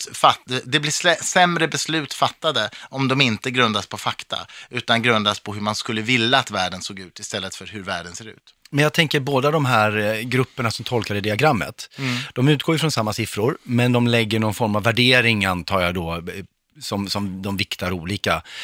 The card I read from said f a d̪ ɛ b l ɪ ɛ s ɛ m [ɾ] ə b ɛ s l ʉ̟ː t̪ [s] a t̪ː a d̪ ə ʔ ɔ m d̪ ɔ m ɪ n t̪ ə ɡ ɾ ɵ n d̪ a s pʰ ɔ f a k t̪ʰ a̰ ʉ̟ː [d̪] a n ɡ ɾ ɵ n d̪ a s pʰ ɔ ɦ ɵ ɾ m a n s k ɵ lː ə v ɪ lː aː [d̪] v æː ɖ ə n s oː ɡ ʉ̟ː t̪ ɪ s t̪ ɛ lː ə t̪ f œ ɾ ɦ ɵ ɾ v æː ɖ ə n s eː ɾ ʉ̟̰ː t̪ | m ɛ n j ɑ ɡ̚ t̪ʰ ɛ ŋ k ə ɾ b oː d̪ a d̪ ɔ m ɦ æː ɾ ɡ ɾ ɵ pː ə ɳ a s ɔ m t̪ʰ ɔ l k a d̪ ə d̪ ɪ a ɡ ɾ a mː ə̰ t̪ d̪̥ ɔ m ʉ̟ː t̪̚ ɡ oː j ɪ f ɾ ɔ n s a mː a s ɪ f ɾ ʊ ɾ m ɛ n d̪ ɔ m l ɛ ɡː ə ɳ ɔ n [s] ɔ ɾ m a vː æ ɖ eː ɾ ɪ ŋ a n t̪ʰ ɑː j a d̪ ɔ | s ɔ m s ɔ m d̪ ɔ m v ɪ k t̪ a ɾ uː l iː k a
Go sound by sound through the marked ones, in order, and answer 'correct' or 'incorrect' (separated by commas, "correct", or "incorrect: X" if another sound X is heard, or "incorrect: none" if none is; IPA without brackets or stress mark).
correct, incorrect: f, incorrect: t̪, incorrect: t̪, incorrect: f